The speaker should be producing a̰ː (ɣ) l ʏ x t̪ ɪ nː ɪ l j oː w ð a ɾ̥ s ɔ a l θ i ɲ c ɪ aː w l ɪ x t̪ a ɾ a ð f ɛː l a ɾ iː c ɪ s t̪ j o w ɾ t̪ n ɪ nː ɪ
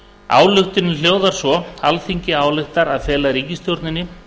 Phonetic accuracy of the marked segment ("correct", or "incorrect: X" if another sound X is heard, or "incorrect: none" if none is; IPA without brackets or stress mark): incorrect: w